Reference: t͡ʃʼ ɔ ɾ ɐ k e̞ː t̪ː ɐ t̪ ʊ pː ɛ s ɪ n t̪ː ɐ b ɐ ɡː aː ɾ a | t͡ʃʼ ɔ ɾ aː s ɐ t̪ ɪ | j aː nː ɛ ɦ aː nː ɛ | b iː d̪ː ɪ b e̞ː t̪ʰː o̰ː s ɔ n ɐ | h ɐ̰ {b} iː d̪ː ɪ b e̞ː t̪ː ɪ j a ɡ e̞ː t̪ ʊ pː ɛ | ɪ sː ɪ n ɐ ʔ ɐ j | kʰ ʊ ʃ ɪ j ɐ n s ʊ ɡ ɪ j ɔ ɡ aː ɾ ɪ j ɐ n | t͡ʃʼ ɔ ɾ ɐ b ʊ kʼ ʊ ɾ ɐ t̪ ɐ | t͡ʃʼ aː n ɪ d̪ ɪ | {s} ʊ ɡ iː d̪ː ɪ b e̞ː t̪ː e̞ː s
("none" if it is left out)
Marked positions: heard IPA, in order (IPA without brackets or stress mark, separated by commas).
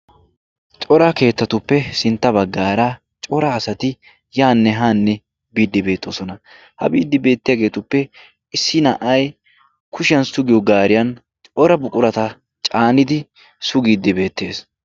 b, s